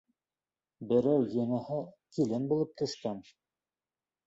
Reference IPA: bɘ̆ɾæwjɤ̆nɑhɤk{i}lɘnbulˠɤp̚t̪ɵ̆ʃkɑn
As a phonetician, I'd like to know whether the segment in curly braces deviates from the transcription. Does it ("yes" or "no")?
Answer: no